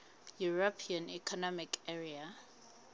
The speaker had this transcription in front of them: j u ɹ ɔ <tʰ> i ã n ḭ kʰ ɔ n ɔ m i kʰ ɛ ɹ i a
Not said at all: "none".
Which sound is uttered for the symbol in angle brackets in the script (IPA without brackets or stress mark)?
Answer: pʰ